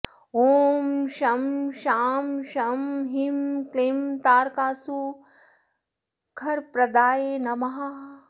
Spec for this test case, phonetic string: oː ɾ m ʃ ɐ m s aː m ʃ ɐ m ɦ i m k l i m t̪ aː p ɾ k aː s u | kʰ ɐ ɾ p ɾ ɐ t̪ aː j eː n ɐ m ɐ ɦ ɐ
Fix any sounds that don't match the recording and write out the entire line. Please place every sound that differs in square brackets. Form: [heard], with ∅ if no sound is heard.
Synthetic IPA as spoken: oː [∅] m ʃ ɐ m [ʃ] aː m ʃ ɐ m ɦ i m k l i m t̪ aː [∅] ɾ k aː s u | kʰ ɐ ɾ p ɾ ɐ [d̪] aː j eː n ɐ m ɐ ɦ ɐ